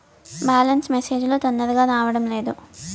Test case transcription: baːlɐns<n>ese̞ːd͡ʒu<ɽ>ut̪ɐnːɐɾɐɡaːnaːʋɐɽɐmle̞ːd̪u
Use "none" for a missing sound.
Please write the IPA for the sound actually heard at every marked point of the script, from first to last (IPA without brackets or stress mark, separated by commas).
m, l